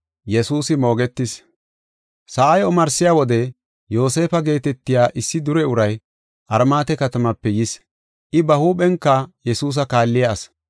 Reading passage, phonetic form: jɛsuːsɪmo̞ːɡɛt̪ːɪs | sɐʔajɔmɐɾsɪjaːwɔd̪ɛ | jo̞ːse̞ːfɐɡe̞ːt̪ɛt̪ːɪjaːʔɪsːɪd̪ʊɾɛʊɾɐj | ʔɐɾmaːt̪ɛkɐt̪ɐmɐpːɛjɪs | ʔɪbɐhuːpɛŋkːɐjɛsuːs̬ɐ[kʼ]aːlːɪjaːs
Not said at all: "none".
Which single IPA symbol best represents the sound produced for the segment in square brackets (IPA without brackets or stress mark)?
k